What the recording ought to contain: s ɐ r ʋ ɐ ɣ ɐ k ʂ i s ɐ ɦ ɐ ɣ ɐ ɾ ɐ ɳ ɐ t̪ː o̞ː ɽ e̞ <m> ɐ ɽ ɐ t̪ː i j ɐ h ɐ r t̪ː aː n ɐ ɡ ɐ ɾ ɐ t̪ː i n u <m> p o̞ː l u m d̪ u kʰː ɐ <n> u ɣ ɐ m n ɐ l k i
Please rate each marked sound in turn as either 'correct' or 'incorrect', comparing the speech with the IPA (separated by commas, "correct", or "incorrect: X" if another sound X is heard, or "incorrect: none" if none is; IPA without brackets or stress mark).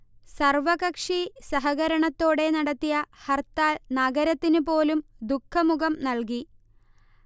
incorrect: n, incorrect: none, incorrect: m